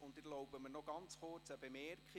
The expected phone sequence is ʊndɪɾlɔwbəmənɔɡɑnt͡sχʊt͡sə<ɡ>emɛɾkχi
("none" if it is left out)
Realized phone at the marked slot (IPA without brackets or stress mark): b